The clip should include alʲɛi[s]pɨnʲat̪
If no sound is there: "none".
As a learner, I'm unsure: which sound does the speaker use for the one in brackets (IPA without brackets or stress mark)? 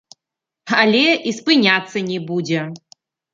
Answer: s